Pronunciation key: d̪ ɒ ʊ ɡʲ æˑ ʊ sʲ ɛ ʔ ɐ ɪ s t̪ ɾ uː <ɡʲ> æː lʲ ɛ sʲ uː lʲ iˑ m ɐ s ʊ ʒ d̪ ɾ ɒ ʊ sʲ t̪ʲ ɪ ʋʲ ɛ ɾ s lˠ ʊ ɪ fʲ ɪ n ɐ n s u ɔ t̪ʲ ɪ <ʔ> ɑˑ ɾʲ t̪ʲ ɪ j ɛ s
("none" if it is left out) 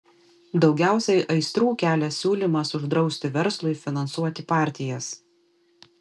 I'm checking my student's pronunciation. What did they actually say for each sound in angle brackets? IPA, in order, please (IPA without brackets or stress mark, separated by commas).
kʲ, p